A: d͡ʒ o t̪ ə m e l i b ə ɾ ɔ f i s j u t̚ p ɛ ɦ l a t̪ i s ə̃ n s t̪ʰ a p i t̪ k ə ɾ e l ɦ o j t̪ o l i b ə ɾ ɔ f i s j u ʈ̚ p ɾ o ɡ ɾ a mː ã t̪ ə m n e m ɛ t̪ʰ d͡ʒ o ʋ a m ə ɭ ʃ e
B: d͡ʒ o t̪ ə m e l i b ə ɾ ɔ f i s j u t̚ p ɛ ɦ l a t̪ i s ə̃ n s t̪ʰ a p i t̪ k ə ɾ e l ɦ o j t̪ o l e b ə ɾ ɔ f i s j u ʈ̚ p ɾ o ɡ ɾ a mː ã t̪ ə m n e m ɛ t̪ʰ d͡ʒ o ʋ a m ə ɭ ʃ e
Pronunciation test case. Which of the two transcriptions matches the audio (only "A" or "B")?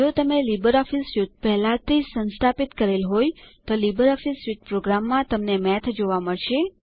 A